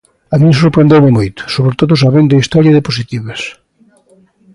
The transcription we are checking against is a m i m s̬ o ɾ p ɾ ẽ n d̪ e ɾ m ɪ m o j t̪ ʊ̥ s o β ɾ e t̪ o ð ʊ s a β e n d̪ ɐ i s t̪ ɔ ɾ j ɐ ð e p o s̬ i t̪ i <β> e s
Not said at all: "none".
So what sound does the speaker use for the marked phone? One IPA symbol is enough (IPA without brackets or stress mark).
β